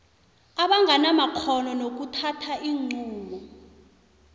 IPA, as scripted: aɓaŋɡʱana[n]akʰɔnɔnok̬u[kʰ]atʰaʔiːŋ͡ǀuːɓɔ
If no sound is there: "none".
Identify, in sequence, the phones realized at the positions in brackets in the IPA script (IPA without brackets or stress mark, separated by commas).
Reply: m, tʰ